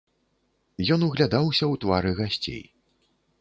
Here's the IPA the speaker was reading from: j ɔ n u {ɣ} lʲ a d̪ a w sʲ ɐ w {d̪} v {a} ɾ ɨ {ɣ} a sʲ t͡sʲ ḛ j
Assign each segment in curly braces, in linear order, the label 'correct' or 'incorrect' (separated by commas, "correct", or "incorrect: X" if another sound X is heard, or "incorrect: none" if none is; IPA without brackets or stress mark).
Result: correct, incorrect: t̪, correct, correct